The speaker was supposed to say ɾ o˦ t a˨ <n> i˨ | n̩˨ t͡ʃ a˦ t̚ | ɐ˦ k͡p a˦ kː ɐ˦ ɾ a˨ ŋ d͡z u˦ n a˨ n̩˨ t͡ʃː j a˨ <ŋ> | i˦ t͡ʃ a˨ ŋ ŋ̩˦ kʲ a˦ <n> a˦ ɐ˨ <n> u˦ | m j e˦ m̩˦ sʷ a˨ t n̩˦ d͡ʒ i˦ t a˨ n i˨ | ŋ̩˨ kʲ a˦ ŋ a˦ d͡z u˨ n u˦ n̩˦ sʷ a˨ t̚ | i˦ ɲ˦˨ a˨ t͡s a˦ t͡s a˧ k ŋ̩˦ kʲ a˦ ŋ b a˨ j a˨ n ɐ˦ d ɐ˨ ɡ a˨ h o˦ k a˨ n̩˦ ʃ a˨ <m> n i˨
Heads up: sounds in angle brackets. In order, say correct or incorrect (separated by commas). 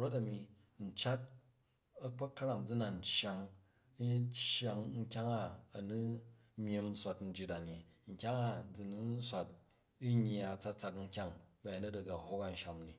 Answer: incorrect, correct, incorrect, correct, correct